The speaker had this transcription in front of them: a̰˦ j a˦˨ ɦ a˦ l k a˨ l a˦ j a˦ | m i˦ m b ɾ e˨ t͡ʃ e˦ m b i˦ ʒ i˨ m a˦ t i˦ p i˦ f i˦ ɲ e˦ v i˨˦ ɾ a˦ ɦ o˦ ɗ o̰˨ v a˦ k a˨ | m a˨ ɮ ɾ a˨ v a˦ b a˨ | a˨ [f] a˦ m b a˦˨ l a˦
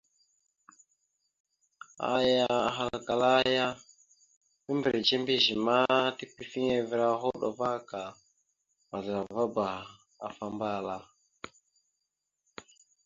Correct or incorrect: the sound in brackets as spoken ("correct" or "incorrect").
correct